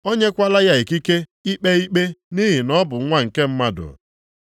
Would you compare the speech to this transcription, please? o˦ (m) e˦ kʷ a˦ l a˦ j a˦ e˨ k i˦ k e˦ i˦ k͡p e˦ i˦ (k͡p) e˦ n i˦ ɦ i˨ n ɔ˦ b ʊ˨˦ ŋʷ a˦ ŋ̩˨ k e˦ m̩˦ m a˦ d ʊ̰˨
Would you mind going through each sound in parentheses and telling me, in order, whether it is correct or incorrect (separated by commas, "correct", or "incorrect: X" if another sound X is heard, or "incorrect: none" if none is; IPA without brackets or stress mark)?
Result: incorrect: ɲ, correct